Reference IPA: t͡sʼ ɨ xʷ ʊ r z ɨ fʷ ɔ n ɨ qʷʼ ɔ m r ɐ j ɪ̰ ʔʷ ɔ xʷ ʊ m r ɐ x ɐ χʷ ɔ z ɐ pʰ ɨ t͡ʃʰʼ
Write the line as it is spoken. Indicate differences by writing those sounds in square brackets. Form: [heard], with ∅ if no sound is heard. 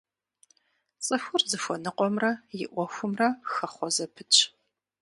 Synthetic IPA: t͡sʼ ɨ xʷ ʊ r z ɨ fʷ ɔ n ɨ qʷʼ ɔ m r ɐ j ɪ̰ ʔʷ ɔ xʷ ʊ m r ɐ x ɐ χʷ ɔ z ɐ pʰ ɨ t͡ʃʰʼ